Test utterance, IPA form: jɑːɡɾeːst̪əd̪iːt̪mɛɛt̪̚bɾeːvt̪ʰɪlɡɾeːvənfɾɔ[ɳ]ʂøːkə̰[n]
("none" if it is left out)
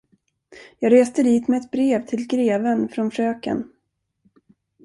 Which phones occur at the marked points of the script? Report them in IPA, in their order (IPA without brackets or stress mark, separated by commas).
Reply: n, n